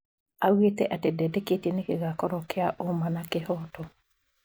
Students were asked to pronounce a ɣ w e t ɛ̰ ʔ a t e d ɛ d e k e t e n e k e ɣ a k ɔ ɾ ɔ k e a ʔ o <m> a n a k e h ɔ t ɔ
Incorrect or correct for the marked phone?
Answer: correct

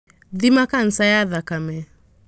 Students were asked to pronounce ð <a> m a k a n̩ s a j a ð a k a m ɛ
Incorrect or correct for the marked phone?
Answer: incorrect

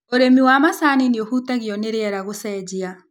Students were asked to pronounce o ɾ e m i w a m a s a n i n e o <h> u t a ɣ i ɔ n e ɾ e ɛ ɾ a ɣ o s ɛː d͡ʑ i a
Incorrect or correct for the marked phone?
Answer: correct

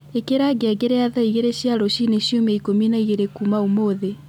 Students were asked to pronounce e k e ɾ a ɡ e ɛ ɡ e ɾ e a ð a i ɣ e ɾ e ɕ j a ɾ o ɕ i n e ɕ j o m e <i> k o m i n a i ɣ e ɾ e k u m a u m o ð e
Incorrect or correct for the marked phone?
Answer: correct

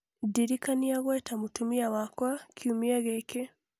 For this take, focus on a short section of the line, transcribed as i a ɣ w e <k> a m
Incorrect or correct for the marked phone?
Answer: incorrect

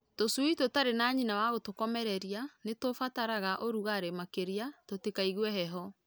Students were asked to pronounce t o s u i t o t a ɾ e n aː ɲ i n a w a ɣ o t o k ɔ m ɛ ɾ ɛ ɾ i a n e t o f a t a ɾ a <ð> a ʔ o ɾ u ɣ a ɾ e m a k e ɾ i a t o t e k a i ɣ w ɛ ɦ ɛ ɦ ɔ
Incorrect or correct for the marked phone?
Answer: incorrect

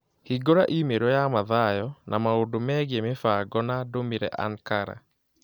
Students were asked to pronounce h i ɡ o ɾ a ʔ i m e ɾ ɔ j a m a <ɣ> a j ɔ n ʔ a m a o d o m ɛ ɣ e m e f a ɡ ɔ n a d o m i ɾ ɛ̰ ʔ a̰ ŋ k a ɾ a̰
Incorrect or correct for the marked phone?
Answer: incorrect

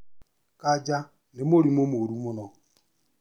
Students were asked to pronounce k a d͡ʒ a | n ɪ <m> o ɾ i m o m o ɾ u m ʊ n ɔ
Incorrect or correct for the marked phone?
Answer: correct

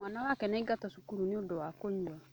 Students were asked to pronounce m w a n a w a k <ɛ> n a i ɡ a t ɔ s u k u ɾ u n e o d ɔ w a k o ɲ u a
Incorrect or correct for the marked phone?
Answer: correct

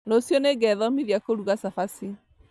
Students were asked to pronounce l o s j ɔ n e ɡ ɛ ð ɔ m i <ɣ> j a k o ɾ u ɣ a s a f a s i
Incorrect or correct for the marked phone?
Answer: incorrect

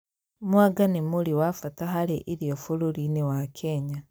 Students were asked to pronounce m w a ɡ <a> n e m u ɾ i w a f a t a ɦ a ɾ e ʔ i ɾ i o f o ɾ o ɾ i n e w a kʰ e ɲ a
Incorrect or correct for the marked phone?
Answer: correct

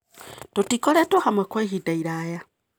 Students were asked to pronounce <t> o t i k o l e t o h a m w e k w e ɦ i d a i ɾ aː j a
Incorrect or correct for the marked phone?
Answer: correct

